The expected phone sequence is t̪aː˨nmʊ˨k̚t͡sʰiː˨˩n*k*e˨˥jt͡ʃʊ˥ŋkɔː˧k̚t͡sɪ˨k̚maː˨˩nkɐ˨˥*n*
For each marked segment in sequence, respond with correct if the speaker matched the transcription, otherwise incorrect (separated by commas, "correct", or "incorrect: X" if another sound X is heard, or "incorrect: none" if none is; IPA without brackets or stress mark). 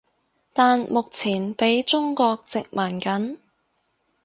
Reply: incorrect: p, correct